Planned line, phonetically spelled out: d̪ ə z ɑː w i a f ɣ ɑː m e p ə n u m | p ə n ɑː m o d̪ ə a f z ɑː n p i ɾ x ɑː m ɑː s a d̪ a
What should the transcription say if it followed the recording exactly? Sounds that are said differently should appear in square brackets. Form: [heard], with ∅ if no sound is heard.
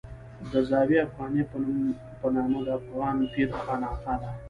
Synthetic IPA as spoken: d̪ ə z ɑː w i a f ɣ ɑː [n] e p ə n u m | p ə n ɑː m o d̪ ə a f [ɣ] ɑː n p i ɾ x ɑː [n] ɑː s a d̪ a